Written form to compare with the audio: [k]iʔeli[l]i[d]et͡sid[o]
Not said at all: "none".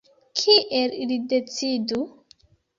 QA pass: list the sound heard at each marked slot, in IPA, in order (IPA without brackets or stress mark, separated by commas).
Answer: kʰ, l, d, u